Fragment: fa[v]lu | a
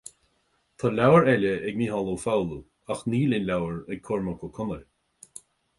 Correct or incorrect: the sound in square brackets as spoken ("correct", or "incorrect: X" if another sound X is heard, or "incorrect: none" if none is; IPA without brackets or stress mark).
incorrect: w